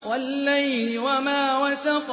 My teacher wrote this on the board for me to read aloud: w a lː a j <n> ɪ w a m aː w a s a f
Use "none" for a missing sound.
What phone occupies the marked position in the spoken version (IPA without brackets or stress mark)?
n